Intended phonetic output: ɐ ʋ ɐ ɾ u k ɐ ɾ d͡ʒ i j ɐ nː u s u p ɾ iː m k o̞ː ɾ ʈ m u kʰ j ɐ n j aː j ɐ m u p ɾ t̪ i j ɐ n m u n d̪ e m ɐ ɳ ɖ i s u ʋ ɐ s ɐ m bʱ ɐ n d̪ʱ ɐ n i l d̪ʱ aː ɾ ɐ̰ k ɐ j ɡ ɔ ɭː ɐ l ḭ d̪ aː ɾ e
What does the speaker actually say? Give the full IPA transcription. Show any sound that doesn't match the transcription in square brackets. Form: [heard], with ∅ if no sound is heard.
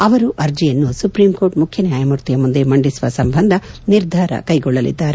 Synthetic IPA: ɐ ʋ ɐ ɾ u [ʔ] ɐ ɾ d͡ʒ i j ɐ nː u s u p ɾ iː m k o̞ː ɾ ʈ m u kʰ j ɐ n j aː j ɐ m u [∅] ɾ t̪ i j ɐ [∅] m u n d̪ e m ɐ ɳ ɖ i s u ʋ ɐ s ɐ m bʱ ɐ n d̪ʱ ɐ n i [ɾ] d̪ʱ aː ɾ ɐ̰ k ɐ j ɡ ɔ ɭː ɐ l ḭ [d̪ː] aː ɾ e